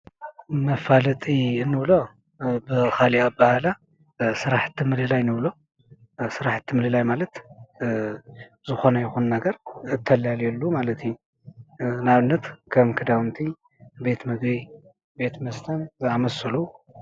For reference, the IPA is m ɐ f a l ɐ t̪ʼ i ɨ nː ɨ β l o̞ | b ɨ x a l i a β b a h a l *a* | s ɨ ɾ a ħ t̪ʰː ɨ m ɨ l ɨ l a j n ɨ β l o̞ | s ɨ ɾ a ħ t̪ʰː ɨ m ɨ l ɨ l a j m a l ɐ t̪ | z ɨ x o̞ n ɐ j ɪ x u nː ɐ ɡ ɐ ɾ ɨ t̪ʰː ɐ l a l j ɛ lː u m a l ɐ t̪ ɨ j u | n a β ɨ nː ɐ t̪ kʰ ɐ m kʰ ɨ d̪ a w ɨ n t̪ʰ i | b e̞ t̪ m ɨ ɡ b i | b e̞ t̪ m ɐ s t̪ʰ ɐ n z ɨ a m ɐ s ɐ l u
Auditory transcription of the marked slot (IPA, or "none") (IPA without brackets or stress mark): a